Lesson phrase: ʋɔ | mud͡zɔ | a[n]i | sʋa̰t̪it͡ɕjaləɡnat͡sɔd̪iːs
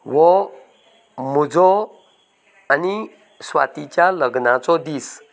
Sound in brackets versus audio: correct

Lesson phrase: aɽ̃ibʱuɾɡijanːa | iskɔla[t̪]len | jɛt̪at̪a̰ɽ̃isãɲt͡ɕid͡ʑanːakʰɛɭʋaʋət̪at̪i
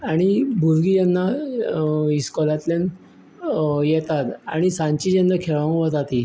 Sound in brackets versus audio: correct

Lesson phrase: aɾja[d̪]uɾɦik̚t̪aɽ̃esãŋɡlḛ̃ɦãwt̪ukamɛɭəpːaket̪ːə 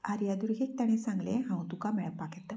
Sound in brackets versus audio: correct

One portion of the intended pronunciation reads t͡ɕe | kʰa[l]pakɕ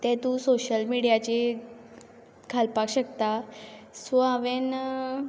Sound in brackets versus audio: correct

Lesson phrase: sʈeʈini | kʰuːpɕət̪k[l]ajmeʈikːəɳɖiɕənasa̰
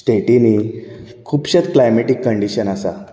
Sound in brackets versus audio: correct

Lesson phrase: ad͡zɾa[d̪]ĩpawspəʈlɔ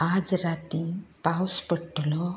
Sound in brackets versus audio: incorrect: t̪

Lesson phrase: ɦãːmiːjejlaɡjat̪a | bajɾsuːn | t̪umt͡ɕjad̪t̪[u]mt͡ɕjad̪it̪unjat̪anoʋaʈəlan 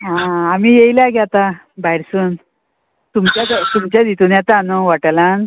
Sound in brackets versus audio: correct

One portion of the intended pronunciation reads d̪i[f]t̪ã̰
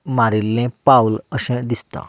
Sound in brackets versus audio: incorrect: s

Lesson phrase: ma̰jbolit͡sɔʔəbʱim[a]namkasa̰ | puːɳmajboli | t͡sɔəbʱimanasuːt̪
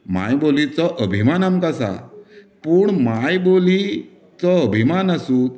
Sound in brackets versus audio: correct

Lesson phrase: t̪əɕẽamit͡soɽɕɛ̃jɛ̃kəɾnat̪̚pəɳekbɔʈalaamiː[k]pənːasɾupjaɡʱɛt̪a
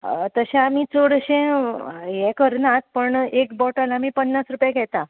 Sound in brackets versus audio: incorrect: none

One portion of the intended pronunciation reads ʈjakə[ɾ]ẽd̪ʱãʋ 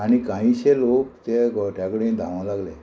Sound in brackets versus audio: incorrect: ɽ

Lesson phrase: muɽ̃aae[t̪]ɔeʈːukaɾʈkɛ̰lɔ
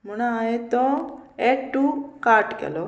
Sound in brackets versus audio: correct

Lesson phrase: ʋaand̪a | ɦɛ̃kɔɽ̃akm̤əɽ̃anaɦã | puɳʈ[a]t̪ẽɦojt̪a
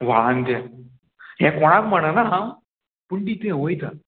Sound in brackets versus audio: incorrect: i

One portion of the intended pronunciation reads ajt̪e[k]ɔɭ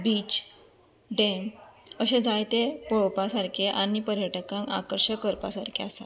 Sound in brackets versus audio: incorrect: p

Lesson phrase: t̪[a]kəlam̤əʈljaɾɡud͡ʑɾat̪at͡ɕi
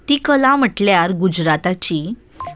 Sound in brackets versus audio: incorrect: i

